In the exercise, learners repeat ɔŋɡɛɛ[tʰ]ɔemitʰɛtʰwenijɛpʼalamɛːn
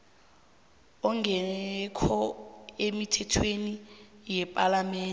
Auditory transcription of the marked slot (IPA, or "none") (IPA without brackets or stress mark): kʰ